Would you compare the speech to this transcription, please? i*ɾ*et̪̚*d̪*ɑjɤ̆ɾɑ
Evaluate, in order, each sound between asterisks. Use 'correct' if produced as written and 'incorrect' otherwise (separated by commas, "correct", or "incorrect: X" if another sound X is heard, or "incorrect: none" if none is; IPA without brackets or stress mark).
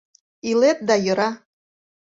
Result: incorrect: l, correct